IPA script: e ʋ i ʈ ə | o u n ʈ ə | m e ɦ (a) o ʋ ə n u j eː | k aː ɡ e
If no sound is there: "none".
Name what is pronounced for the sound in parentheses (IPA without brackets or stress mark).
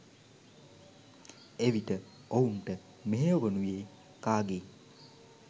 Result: e